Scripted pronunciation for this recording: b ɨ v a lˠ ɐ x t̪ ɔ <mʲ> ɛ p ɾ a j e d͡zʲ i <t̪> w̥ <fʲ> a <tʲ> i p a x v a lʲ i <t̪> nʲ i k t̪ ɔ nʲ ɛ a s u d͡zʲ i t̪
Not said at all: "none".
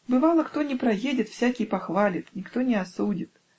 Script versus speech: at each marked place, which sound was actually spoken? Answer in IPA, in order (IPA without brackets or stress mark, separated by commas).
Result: nʲ, t̪, sʲ, kʲ, t̪